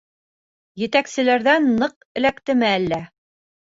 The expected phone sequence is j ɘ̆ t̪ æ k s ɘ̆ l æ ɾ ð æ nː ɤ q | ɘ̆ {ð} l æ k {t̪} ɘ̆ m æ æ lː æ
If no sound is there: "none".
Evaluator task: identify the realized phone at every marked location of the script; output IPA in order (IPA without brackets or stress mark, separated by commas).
none, t̪